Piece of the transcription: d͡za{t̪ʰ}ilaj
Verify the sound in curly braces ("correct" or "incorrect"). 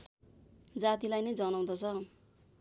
incorrect